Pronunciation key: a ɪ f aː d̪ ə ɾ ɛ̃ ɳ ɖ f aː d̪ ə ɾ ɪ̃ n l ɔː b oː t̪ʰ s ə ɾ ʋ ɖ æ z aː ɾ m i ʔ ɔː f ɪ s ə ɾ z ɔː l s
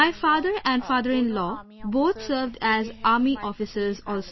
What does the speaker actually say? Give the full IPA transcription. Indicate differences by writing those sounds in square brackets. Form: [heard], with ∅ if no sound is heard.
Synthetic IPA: a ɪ f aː d̪ ə ɾ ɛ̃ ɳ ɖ f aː d̪ ə ɾ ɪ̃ n l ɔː b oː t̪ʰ s ə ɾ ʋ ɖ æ z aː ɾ m i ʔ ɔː f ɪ s ə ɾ z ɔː l s